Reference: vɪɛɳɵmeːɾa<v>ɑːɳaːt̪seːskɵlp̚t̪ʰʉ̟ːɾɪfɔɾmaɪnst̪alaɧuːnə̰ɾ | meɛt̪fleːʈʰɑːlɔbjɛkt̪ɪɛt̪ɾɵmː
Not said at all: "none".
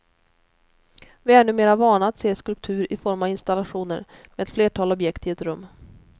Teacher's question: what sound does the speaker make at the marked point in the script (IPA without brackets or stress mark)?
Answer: v